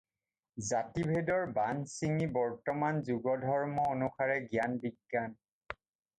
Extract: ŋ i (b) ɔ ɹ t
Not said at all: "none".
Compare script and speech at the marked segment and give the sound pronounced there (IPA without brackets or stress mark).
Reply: b